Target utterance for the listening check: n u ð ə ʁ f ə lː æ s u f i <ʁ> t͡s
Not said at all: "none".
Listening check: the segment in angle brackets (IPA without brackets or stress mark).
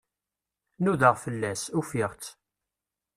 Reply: ʁ